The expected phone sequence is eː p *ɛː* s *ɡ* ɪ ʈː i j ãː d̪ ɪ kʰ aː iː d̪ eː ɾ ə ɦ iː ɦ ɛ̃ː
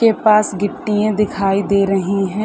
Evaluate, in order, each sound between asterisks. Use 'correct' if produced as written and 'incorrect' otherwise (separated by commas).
incorrect, correct